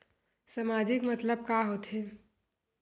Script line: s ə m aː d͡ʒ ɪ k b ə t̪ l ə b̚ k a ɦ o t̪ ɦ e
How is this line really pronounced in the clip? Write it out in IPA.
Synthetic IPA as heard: s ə m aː d͡ʒ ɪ k m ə t̪ l ə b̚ k a ɦ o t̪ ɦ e